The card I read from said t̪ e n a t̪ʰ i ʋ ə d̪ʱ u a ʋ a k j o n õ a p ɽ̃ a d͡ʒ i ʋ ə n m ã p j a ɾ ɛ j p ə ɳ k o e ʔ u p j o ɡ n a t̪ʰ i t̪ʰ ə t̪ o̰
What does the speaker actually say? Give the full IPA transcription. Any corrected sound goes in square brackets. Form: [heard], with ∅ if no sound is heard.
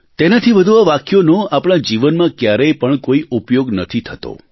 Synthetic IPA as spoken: t̪ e n a t̪ʰ i ʋ ə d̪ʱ u a ʋ a k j o n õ a p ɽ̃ a d͡ʒ i ʋ ə n m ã [k] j a ɾ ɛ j p ə ɳ k o [i] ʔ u p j o ɡ n [ə] t̪ʰ i t̪ʰ ə t̪ o̰

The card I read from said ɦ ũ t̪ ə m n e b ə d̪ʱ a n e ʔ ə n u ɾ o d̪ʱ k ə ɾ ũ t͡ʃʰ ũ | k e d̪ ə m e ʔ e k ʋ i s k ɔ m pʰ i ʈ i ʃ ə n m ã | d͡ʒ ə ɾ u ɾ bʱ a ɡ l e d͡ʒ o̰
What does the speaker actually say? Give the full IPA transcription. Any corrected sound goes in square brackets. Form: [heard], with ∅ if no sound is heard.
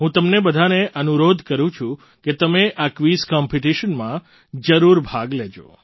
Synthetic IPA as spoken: ɦ ũ t̪ ə m n e b ə d̪ʱ a n e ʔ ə n u ɾ o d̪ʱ k ə ɾ ũ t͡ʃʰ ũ | k e [t̪] ə m e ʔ [a] k ʋ i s k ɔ m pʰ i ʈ i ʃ ə n m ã | d͡ʒ ə ɾ u ɾ bʱ a ɡ l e d͡ʒ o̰

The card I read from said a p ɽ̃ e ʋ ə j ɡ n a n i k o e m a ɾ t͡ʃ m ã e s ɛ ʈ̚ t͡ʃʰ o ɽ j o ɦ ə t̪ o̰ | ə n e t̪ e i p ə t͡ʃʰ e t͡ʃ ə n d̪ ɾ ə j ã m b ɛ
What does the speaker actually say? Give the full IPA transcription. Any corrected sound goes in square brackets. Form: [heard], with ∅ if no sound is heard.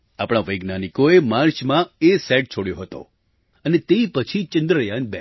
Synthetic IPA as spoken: a p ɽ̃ [a] ʋ ə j ɡ n a n i k o e m a ɾ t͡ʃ m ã e s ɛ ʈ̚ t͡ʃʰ o ɽ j o ɦ ə t̪ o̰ | ə n e t̪ e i p ə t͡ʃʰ [i] t͡ʃ ə n d̪ ɾ ə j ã [n] b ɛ

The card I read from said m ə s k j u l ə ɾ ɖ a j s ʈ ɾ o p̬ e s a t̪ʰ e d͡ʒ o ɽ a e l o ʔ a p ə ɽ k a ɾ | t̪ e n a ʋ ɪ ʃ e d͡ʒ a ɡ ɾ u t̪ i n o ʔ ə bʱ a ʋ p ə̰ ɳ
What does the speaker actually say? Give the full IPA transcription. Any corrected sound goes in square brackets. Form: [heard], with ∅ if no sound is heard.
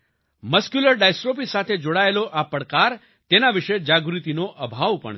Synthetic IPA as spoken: m ə s k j u l ə ɾ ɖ a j s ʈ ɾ o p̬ [i] s a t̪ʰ e d͡ʒ o ɽ a e l o ʔ a p ə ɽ k a ɾ | t̪ e n a ʋ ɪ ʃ e d͡ʒ a ɡ ɾ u t̪ i n o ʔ ə bʱ a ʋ p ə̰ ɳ

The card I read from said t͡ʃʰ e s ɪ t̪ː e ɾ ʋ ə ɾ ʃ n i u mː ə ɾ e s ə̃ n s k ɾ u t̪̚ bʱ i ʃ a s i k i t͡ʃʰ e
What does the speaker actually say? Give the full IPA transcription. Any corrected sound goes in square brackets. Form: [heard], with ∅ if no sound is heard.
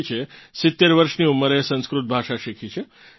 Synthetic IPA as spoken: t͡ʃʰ e s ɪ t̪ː e ɾ ʋ ə ɾ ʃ n i u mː ə ɾ e s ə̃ n s k ɾ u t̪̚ bʱ [a] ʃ a [ʃ] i [kʰ] i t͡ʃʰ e

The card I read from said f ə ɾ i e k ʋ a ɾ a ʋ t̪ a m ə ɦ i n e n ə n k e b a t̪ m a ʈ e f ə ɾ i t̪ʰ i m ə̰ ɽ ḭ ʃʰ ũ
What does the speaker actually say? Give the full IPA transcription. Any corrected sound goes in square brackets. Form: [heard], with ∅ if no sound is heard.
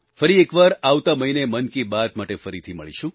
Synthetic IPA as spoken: f ə ɾ i e k ʋ a ɾ a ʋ t̪ a m ə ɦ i n e [m] ə n k [i] b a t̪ m a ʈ e f ə ɾ i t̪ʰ i m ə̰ [ɭ] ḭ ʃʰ ũ

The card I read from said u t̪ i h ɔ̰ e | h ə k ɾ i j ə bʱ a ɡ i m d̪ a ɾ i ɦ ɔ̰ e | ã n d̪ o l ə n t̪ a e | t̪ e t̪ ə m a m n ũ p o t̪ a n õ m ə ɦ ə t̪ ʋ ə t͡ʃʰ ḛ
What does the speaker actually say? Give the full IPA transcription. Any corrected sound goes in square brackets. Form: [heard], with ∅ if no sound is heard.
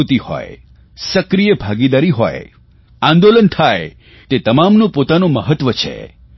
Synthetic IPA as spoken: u t̪ i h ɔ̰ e | [s] ə k ɾ i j ə bʱ a ɡ i [∅] d̪ a ɾ i ɦ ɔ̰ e | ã n d̪ o l ə n [t̪ʰ] a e | t̪ e t̪ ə m a m n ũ p o t̪ a n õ m ə ɦ ə t̪ ʋ ə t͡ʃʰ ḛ

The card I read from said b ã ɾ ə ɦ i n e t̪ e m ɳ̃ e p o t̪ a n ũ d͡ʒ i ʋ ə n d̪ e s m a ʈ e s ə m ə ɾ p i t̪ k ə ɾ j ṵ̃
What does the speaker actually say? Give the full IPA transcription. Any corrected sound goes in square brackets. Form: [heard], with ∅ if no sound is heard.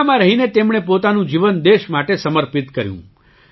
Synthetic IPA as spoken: [m] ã ɾ ə ɦ i n e t̪ e m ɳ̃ e p o t̪ a n ũ d͡ʒ i ʋ ə n d̪ e [ʃ] m a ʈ e s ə m ə ɾ p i t̪ k ə ɾ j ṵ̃

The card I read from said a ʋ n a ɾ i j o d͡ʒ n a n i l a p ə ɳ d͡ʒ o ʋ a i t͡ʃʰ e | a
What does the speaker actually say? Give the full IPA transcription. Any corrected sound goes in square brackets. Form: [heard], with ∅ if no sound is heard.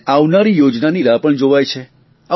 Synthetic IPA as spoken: a ʋ n a ɾ i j o d͡ʒ n a n i [ɾ] a p ə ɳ d͡ʒ o ʋ a [j] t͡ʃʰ e | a

